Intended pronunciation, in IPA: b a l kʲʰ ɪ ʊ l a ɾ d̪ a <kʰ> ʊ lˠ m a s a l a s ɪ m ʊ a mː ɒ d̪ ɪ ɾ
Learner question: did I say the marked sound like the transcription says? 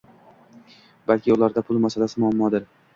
no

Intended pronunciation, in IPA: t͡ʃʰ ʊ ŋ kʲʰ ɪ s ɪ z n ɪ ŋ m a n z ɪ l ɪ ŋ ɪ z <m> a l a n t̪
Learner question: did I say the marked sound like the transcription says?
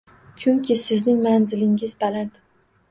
no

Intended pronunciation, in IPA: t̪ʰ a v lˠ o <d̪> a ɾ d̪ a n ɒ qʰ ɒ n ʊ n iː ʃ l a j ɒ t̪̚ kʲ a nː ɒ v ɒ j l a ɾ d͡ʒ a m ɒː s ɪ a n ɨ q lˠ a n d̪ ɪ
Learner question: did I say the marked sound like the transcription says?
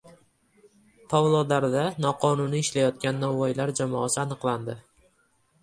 yes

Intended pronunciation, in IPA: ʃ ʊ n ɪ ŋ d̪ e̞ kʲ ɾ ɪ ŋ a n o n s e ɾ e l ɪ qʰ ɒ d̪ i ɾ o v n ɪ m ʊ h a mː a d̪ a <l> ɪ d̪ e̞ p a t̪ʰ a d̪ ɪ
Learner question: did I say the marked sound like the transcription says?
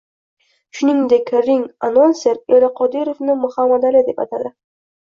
yes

